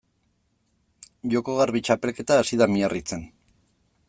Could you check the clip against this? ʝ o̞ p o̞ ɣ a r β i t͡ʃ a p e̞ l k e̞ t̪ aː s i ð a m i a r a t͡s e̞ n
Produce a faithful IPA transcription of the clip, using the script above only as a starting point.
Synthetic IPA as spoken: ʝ o̞ k o̞ ɣ a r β i t͡ʃ a p e̞ l k e̞ t̪ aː s i ð a m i a r i t͡s e̞ n